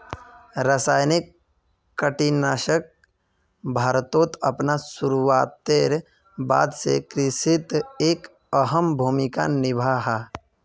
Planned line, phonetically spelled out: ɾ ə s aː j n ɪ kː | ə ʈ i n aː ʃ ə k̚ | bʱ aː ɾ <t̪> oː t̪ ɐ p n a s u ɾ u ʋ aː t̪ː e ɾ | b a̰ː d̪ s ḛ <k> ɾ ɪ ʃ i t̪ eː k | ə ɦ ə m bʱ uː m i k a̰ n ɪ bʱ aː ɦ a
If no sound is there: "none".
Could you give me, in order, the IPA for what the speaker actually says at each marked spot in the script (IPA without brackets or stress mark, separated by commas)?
t̪, k